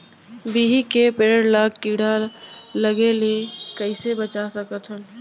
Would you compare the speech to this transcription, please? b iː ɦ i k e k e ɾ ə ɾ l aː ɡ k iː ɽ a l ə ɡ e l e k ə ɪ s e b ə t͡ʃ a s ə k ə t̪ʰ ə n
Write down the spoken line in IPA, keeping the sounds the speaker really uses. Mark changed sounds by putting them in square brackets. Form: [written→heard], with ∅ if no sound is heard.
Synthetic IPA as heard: b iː ɦ i k e [k→p] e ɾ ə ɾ l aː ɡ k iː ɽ a l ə ɡ e l e k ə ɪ s e b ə t͡ʃ a s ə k ə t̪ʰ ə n